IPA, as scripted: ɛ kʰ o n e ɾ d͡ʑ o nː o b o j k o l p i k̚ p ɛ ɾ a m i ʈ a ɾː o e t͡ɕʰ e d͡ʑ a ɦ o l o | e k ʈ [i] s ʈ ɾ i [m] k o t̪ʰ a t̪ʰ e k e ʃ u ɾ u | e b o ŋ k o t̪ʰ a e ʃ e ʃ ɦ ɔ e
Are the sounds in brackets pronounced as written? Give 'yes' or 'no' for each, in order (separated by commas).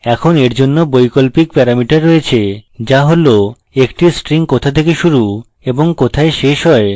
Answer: yes, no